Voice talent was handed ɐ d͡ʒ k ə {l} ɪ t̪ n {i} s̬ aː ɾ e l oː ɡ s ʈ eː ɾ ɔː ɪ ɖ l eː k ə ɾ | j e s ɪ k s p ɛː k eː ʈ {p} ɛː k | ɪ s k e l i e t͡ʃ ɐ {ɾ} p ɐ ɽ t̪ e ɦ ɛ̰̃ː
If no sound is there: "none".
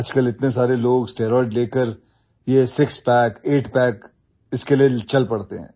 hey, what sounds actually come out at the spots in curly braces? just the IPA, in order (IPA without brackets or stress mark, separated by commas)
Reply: l, e, p, l